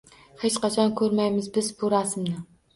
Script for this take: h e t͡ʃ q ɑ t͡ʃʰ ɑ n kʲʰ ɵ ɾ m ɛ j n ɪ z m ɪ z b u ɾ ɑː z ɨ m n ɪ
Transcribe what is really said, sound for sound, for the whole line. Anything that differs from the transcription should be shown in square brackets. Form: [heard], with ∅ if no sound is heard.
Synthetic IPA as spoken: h e t͡ʃ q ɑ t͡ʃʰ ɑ n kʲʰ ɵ ɾ m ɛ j [m] ɪ z [b] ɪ z b u ɾ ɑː [s] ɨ m n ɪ